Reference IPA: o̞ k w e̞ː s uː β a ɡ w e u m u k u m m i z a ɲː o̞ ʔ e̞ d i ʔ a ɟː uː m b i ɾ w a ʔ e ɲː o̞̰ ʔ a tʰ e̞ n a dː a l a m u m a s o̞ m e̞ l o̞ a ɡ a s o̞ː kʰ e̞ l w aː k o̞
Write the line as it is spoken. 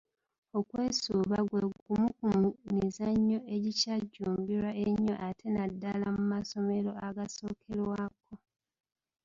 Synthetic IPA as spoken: o̞ k w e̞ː s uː β a ɡ w e u m u k u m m i z a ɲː o̞ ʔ e̞ ɟ i c a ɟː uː m b i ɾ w a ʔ e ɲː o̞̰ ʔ a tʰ e̞ n a dː a l a m u m a s o̞ m e̞ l o̞ a ɡ a s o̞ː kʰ e̞ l w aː k o̞